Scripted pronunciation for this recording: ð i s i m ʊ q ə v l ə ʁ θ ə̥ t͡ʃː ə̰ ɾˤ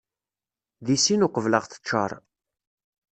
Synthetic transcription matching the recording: ð i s i n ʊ q ə v l ə ʁ θ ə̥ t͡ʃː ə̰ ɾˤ